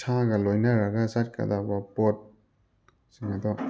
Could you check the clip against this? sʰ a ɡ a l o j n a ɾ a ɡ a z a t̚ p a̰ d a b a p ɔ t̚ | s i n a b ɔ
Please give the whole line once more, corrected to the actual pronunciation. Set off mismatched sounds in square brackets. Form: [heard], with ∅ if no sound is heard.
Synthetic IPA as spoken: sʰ a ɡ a l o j n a ɾ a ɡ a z a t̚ [k] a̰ d a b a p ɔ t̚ | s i [ŋ] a [d] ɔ